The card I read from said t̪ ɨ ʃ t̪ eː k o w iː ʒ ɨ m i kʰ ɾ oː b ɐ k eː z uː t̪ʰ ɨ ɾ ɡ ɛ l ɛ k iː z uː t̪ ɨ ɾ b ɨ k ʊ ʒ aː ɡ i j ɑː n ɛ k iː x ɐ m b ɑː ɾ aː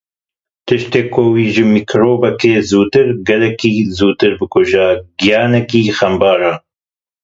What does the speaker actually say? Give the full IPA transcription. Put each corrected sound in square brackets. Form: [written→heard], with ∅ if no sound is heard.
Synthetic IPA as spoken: t̪ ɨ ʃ t̪ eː k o w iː ʒ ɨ m i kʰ ɾ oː b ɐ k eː z uː [t̪ʰ→t̪] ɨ ɾ ɡ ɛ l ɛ k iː z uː t̪ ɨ ɾ b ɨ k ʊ ʒ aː ɡ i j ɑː n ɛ k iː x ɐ m b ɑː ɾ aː